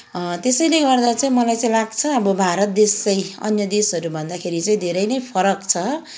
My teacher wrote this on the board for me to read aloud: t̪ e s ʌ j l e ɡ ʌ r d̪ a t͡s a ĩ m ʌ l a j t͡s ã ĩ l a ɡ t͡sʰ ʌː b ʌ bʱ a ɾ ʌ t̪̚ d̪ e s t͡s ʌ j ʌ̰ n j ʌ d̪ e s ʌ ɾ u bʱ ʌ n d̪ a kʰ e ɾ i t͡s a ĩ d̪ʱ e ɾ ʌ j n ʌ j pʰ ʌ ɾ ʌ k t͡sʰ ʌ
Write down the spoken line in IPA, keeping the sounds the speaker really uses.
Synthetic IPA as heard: t̪ e s ʌ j l e ɡ ʌ r d̪ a t͡s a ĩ m ʌ l a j t͡s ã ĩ l a ɡ t͡sʰ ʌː b ʌ bʱ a ɾ ʌ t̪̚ d̪ e s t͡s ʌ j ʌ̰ n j ʌ d̪ e s ʌ ɾ u bʱ ʌ n d̪ a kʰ e ɾ i t͡s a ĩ d̪ʱ e ɾ ʌ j n ʌ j pʰ ʌ ɾ ʌ k t͡sʰ ʌ